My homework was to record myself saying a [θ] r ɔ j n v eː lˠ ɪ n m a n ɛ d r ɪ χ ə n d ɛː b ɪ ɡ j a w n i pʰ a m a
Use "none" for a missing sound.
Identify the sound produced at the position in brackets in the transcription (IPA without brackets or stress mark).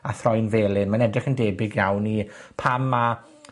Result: θ